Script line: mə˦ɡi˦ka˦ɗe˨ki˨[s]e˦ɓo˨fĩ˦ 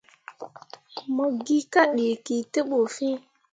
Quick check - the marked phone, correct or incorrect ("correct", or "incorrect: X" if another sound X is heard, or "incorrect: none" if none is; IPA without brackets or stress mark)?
incorrect: t